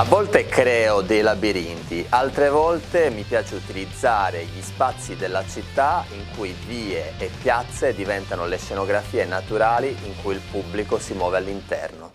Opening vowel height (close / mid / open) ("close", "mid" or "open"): open